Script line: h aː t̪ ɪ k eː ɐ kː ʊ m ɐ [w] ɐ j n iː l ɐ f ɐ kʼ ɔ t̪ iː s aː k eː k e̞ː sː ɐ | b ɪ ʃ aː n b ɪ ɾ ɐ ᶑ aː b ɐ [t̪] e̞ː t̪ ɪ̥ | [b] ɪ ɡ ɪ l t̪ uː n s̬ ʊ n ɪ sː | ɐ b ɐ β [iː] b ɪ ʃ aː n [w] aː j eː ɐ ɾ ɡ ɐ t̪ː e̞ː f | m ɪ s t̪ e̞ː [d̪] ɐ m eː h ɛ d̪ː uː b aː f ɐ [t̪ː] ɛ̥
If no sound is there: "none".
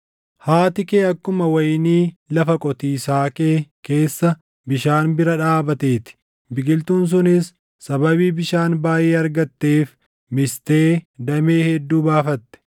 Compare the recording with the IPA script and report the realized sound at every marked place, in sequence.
w, t̪, b, iː, b, d̪, t̪ː

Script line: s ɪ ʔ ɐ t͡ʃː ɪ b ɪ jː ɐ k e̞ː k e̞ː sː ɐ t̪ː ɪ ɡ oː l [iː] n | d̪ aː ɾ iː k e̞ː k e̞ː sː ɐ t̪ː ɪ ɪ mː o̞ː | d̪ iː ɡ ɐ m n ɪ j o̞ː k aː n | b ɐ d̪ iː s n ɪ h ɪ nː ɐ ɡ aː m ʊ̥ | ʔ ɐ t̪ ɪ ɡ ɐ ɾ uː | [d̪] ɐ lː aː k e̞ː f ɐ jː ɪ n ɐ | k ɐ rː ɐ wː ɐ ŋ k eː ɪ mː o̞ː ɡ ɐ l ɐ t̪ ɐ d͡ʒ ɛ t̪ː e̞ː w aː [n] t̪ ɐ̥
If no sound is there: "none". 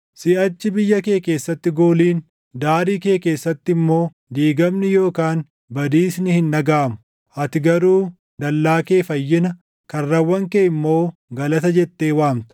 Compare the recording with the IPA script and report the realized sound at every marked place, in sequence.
iː, d̪, m

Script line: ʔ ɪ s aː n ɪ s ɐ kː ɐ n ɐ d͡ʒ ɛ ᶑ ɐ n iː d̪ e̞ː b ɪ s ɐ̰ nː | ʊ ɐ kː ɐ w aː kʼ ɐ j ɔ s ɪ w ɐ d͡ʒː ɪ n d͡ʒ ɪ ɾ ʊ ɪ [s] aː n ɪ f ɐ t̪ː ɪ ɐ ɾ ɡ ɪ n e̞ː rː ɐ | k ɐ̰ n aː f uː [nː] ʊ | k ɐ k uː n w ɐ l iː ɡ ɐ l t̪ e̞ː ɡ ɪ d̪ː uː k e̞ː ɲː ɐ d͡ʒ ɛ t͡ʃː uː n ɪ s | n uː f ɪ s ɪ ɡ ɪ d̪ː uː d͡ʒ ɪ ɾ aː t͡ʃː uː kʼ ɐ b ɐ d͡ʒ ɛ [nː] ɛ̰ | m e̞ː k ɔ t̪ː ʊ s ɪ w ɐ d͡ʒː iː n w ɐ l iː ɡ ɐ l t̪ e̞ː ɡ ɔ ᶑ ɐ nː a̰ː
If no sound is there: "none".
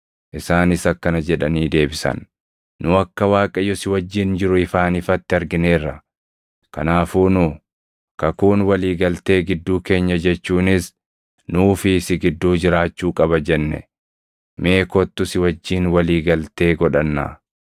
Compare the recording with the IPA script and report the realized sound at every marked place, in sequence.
f, n, nː

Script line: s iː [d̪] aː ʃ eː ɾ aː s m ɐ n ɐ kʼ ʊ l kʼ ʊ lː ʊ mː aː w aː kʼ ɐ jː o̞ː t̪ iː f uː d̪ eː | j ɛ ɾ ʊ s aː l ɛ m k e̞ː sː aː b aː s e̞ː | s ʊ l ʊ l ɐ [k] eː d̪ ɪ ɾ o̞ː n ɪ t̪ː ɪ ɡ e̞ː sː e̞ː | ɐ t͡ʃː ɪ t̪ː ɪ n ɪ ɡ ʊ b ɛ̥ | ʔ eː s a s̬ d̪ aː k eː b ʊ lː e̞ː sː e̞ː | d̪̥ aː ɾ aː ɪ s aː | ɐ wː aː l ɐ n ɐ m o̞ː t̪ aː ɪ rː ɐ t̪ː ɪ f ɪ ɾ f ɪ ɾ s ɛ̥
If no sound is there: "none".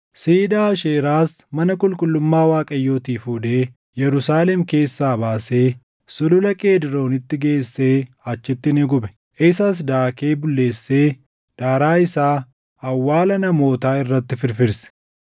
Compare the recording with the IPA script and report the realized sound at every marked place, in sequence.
d̪, kʼ

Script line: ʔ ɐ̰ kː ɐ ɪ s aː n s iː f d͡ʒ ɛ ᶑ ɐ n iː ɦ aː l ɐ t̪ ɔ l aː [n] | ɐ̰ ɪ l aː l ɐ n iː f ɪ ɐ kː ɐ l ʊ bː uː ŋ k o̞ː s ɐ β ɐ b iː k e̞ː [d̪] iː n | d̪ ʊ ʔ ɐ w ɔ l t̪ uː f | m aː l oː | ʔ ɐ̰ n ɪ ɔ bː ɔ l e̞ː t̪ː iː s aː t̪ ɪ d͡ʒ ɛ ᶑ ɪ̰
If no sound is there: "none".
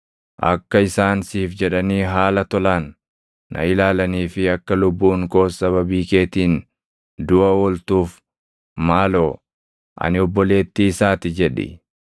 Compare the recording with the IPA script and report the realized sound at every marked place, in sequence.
nː, t̪

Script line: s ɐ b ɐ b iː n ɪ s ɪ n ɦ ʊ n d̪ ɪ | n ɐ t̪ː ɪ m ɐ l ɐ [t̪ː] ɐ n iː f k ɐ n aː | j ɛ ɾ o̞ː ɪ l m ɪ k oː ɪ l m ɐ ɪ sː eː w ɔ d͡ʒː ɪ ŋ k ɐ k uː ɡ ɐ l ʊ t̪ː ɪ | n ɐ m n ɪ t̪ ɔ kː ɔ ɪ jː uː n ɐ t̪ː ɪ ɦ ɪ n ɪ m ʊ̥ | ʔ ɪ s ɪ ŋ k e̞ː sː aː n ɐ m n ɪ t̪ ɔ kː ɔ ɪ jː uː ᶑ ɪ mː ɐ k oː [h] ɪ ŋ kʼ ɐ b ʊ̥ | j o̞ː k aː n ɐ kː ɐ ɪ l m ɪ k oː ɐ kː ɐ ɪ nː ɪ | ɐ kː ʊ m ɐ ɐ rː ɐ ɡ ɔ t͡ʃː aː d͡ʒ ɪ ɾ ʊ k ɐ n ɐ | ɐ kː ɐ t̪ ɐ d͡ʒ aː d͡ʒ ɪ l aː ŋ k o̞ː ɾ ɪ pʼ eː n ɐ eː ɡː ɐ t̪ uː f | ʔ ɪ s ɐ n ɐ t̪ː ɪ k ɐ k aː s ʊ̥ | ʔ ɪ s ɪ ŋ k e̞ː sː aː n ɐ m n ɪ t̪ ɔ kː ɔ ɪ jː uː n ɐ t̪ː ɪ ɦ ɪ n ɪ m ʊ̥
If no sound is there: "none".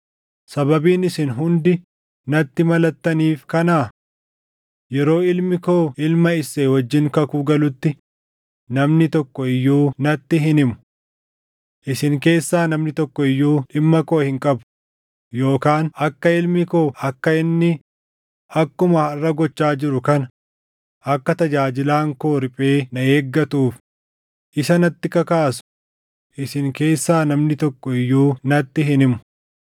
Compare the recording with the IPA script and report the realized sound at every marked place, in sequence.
t̪ː, h

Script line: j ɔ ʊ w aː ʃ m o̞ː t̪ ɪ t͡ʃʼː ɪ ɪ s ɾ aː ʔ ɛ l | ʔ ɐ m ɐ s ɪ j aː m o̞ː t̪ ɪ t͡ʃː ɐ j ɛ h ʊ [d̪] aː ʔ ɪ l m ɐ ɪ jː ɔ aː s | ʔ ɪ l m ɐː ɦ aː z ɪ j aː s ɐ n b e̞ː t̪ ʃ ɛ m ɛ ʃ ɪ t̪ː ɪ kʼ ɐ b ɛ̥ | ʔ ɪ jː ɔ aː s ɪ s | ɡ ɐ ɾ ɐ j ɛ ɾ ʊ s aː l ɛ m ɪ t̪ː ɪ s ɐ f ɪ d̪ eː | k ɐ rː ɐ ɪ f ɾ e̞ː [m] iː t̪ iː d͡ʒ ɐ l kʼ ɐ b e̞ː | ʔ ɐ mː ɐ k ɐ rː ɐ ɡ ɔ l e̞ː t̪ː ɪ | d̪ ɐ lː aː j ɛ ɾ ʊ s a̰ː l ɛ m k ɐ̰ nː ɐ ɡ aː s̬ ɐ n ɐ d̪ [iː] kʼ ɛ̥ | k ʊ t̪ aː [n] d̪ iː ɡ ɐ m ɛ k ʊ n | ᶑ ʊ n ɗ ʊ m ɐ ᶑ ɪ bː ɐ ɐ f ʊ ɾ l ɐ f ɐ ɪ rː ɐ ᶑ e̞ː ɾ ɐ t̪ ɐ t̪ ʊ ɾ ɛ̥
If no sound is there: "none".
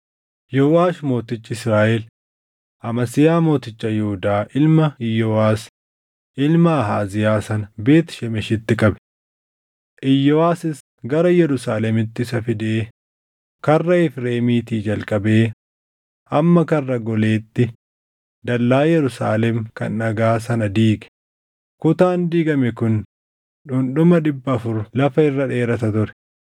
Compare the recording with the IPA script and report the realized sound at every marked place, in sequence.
d̪, m, iː, n

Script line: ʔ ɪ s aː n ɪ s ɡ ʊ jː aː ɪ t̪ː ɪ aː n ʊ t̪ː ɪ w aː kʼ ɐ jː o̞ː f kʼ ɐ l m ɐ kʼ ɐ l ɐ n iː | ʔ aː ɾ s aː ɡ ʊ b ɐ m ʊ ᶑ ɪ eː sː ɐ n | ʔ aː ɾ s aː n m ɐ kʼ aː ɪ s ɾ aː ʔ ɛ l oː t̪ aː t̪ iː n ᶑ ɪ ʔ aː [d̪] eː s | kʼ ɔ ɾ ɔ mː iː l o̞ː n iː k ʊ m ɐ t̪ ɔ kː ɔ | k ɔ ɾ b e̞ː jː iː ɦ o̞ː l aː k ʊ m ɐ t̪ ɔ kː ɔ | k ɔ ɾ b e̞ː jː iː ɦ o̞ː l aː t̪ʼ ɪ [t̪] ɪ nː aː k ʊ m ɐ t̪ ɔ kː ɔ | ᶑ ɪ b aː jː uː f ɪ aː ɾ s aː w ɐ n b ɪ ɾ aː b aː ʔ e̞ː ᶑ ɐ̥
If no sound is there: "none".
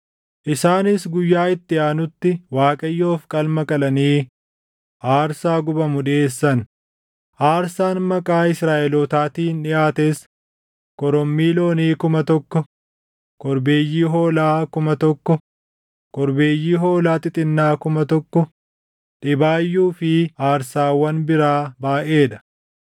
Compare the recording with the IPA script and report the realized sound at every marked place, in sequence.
t̪, t̪ʼ

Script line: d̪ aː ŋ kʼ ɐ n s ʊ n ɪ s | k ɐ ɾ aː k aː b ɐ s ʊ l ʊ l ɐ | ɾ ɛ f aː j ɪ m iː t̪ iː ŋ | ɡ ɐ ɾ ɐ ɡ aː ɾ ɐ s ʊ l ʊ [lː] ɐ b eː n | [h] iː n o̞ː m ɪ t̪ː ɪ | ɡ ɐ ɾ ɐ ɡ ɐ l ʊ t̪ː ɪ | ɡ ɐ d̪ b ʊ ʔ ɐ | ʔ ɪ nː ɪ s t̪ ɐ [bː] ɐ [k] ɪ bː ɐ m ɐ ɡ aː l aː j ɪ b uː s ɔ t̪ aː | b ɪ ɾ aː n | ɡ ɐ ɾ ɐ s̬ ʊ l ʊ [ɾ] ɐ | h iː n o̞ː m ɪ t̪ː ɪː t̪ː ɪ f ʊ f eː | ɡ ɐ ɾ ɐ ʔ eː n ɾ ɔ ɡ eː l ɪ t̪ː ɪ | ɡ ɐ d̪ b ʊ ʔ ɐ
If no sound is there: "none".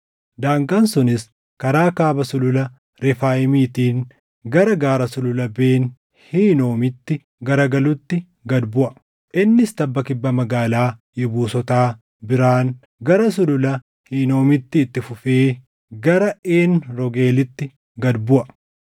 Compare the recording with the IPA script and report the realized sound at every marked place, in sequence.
l, h, bː, k, l

